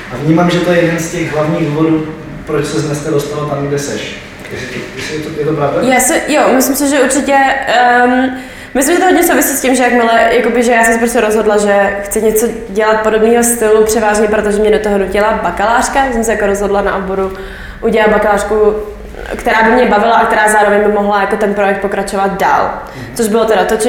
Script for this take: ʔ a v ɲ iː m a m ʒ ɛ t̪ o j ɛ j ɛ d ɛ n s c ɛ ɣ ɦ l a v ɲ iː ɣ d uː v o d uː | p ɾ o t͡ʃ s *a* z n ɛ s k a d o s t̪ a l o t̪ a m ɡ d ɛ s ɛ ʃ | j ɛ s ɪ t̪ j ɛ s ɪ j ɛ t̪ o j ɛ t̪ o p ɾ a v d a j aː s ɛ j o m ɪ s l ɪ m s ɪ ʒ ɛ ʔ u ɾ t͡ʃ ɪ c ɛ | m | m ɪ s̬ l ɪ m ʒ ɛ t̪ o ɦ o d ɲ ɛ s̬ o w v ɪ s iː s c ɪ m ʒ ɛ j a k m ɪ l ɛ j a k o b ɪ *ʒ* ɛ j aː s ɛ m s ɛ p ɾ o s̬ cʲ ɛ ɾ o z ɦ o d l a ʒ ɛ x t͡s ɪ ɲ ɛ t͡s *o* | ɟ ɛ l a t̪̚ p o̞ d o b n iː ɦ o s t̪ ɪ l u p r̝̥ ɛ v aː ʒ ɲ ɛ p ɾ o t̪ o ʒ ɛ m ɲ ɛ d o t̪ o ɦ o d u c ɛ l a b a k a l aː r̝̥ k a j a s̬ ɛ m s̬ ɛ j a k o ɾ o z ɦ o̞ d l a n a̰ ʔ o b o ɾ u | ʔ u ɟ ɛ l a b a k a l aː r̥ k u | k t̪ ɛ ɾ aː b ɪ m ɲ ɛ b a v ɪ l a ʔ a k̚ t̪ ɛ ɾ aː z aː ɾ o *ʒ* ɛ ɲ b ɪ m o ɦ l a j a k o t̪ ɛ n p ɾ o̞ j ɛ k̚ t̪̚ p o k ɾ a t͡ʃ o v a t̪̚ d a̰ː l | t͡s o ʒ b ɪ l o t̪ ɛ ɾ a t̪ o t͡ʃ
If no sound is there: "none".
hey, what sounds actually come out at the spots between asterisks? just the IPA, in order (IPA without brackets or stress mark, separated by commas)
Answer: ɛ, ʒ, o, v